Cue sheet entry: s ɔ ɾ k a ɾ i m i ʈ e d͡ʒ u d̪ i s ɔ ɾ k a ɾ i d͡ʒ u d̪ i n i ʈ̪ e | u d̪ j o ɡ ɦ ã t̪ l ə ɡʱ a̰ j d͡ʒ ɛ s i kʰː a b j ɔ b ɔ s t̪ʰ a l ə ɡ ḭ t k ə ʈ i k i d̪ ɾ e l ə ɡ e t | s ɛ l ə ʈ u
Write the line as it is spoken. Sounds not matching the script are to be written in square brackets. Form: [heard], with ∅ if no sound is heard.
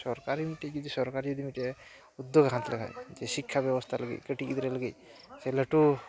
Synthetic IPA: s ɔ ɾ k a ɾ i m i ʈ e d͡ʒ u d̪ i s ɔ ɾ k a ɾ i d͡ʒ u d̪ i [m] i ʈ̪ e | u d̪ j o ɡ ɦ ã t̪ l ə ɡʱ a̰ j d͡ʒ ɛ s i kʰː a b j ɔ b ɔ s t̪ʰ a l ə ɡ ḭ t k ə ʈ i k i d̪ ɾ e l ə ɡ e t | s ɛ l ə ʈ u